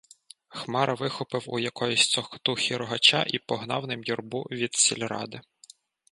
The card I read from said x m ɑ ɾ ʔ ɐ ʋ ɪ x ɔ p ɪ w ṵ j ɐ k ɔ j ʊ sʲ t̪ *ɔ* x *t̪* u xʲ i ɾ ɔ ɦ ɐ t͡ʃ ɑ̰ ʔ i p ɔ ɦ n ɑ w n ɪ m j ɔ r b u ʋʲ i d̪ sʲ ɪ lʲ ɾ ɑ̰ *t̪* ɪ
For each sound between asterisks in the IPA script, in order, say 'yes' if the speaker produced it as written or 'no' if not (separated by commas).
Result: yes, yes, no